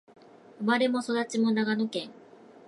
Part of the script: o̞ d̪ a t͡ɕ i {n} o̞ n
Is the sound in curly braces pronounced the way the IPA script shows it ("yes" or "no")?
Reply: no